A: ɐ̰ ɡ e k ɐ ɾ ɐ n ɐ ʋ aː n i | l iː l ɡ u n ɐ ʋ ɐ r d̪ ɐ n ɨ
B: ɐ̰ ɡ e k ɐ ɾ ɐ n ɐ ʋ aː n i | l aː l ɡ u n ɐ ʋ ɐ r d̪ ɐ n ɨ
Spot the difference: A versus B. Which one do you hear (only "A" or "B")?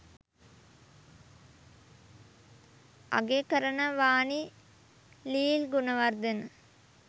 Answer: A